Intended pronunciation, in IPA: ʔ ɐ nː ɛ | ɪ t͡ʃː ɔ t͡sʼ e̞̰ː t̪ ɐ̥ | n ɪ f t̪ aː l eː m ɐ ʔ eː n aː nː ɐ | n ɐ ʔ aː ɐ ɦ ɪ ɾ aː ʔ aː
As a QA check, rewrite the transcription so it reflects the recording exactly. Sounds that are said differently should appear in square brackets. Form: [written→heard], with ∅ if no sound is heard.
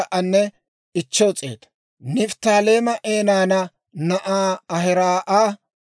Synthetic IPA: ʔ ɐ nː ɛ | ɪ t͡ʃː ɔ t͡sʼ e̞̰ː t̪ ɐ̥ | n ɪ f t̪ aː l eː m ɐ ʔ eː n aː [nː→n] ɐ | n ɐ ʔ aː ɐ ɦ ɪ ɾ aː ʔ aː